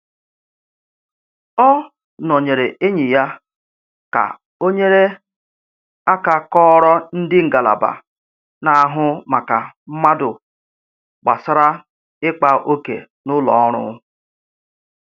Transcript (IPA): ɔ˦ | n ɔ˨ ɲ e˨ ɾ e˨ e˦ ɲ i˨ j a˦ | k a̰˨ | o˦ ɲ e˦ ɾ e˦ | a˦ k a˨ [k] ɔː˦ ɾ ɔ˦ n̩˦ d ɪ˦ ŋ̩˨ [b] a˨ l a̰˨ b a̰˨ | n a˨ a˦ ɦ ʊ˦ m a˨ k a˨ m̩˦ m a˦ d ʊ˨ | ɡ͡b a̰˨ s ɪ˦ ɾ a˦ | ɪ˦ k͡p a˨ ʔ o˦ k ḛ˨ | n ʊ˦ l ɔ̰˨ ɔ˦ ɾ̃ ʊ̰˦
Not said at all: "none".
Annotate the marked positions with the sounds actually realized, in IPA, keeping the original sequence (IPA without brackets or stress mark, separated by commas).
k, ɡ